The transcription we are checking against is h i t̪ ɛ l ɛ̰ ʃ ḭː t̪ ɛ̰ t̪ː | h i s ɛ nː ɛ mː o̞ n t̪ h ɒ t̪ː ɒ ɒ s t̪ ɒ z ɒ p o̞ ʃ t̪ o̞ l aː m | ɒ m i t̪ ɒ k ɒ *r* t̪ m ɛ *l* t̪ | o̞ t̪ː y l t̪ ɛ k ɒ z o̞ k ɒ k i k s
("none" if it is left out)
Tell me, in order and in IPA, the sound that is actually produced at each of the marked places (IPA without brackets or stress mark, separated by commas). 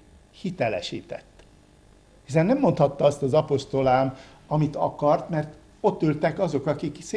r, r